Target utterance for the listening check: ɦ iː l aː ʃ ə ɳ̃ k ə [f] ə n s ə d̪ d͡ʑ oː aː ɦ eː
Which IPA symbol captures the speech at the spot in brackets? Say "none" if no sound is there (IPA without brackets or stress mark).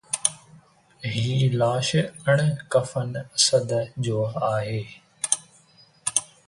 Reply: f